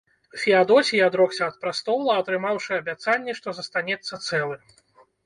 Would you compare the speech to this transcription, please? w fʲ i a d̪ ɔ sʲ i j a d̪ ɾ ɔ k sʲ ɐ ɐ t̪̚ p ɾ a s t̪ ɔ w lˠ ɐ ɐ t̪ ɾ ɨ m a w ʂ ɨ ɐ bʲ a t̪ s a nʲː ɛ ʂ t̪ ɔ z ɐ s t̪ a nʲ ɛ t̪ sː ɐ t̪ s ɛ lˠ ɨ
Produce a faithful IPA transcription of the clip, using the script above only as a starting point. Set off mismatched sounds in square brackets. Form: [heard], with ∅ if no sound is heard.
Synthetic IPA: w fʲ i a d̪ ɔ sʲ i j a d̪ ɾ ɔ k sʲ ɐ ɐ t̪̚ p ɾ a s t̪ ɔ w lˠ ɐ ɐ t̪ ɾ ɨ m a w ʂ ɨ ɐ bʲ a t̪ s a nʲː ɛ ʂ t̪ ɔ z ɐ s t̪ a nʲ ɛ t̪ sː ɐ t̪ s ɛ lˠ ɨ

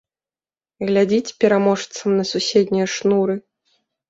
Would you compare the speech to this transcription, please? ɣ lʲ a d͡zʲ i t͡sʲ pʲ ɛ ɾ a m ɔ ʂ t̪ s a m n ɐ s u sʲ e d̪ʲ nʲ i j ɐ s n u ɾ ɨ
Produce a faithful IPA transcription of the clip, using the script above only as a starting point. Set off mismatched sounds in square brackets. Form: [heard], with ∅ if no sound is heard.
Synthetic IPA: ɣ lʲ a d͡zʲ i t͡sʲ pʲ ɛ ɾ a m ɔ ʂ t̪ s [ɐ] m n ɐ s u sʲ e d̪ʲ nʲ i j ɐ [ʂ] n u ɾ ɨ

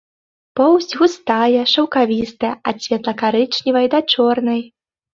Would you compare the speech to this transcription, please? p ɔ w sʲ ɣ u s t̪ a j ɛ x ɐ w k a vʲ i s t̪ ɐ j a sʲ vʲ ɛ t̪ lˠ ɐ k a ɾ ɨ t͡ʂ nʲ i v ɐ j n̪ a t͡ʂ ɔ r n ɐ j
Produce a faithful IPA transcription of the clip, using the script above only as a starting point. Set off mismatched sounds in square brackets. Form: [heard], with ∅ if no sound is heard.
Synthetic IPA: p ɔ w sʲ ɣ u s t̪ a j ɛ [ʂ] ɐ w k a vʲ i s t̪ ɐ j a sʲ vʲ ɛ t̪ lˠ ɐ k a ɾ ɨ t͡ʂ nʲ i v ɐ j [d̪] a t͡ʂ ɔ r n ɐ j

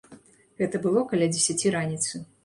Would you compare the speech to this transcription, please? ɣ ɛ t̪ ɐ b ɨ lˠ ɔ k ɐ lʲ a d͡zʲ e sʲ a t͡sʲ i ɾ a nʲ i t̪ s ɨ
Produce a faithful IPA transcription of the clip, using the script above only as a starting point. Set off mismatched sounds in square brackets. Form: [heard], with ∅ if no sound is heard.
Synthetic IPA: ɣ ɛ t̪ ɐ b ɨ lˠ ɔ k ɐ lʲ a d͡zʲ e sʲ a t͡sʲ i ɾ a nʲ i t̪ s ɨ

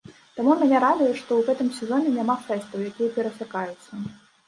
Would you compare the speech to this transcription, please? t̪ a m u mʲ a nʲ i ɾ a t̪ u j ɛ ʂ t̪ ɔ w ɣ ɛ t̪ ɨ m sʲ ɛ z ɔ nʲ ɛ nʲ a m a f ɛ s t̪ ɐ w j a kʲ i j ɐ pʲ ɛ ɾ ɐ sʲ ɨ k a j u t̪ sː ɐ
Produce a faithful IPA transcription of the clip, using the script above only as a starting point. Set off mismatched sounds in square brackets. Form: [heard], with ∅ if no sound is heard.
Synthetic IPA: t̪ a m u mʲ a nʲ [ɛ] ɾ a [d̪] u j ɛ ʂ t̪ ɔ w ɣ ɛ t̪ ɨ m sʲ ɛ z ɔ nʲ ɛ nʲ a m a f ɛ s t̪ ɐ w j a kʲ i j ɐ pʲ ɛ ɾ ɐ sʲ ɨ k a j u t̪ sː ɐ

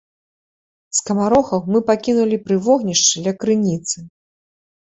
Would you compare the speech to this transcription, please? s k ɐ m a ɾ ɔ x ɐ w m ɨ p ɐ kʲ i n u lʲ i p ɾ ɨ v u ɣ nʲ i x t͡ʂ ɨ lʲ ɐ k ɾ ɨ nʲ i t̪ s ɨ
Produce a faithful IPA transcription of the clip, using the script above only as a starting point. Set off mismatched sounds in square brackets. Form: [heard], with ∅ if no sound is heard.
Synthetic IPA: s k ɐ m a ɾ ɔ x ɐ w m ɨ p [a] kʲ i n u lʲ i p ɾ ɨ v [ɔ] ɣ nʲ i [ʂ] t͡ʂ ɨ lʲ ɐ k ɾ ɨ nʲ i t̪ s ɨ

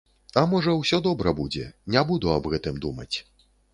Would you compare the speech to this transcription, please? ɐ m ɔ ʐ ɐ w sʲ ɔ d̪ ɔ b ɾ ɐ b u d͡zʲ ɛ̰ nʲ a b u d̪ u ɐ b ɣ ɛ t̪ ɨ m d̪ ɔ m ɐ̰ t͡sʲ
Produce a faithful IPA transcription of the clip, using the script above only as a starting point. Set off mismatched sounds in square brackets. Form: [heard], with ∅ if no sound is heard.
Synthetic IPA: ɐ m ɔ ʐ ɐ w sʲ ɔ d̪ ɔ b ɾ ɐ b u d͡zʲ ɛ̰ nʲ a b u d̪ u ɐ b ɣ ɛ t̪ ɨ m d̪ [u] m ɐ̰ t͡sʲ

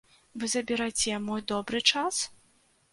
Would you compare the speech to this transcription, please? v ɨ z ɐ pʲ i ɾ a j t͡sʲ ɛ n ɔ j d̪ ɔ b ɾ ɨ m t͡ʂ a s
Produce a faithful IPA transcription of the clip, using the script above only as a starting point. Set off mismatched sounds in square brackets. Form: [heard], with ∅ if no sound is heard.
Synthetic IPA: v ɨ z ɐ [bʲ] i ɾ a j t͡sʲ ɛ [m] ɔ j d̪ ɔ b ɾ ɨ [∅] t͡ʂ a s

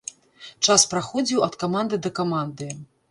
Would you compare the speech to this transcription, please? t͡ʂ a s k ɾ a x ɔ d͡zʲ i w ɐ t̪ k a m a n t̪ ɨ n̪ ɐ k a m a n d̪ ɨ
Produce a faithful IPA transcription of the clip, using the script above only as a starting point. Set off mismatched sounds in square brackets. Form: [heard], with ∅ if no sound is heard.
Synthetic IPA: t͡ʂ a s [p] ɾ a x ɔ d͡zʲ i w ɐ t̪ k a m a n [d̪] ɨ [d̪] ɐ k a m a n d̪ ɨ

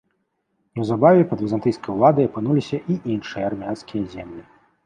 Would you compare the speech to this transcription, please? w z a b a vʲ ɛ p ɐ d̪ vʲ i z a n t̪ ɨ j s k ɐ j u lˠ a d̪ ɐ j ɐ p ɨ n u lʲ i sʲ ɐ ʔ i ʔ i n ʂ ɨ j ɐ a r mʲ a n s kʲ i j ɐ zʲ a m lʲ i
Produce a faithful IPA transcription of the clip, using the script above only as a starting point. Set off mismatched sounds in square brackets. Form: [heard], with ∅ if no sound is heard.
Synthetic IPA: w z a b a vʲ ɛ p ɐ d̪ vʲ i z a n t̪ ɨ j s k ɐ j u lˠ a d̪ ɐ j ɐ p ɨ n u lʲ i sʲ ɐ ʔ i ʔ i n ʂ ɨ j ɐ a r mʲ a n s kʲ i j ɐ zʲ [ɛ] m lʲ i

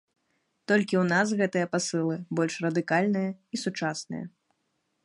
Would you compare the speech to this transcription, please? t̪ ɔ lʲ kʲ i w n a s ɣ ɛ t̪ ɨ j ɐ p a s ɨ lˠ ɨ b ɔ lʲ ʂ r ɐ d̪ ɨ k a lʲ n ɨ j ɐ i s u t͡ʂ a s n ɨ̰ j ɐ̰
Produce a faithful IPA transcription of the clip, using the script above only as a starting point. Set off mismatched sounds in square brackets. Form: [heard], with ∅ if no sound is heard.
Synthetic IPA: t̪ ɔ lʲ kʲ i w n a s ɣ ɛ t̪ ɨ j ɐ p a s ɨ lˠ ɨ b ɔ lʲ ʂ r ɐ d̪ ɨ k a lʲ n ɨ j ɐ i s u t͡ʂ a s n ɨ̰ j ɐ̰

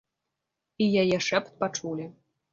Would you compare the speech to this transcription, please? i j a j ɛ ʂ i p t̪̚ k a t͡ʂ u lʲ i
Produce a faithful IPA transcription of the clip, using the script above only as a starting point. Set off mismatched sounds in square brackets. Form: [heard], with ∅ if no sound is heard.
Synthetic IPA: i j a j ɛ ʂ [ɛ] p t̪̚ [p] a t͡ʂ u lʲ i

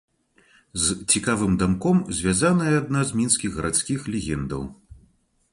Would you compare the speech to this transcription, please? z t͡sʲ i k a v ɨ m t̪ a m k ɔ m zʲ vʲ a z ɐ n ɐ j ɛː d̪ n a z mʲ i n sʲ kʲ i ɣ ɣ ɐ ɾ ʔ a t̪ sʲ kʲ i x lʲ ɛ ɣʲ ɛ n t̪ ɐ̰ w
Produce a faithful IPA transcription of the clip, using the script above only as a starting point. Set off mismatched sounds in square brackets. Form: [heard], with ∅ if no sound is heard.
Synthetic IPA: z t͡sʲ i k a v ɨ m [d̪] a m k ɔ m zʲ vʲ a z [a] n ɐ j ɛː d̪ n a z mʲ i n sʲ kʲ i ɣ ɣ ɐ ɾ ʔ a t̪ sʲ kʲ i x lʲ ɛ ɣʲ ɛ n [d̪] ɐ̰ w

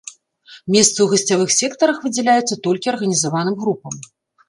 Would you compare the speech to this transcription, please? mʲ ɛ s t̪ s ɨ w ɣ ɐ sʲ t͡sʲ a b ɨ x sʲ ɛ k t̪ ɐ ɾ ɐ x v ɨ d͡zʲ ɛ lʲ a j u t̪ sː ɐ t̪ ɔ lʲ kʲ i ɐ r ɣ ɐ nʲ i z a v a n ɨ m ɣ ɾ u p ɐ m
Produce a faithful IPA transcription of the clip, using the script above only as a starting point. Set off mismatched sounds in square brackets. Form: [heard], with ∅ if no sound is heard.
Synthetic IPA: mʲ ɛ s t̪ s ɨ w ɣ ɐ sʲ t͡sʲ a [v] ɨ x sʲ ɛ k t̪ ɐ ɾ ɐ x v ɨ d͡zʲ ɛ lʲ a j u t̪ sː ɐ t̪ ɔ lʲ kʲ i ɐ r ɣ ɐ nʲ i z a v a n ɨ m ɣ ɾ u p ɐ m

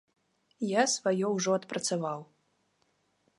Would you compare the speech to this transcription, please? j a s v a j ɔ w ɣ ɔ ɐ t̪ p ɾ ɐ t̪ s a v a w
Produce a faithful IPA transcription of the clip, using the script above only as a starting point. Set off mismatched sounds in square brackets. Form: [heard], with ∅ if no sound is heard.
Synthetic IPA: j a s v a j ɔ w [ʐ] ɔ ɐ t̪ p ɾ ɐ t̪ s a v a w

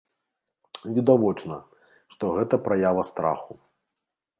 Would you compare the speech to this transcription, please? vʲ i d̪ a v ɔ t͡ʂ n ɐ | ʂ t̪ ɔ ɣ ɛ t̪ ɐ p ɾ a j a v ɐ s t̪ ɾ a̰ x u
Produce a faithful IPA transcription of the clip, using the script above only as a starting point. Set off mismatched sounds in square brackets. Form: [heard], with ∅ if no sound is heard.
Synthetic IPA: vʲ i d̪ a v ɔ t͡ʂ n ɐ | ʂ t̪ ɔ ɣ ɛ t̪ ɐ p ɾ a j a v ɐ s t̪ ɾ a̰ x u

